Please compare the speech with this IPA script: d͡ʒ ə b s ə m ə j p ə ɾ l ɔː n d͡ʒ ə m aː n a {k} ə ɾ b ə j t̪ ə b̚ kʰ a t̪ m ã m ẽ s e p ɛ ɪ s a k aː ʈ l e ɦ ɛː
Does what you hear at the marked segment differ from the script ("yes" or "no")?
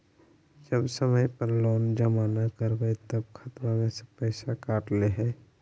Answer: no